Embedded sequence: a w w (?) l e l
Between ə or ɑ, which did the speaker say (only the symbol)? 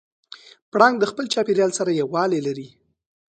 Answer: ɑ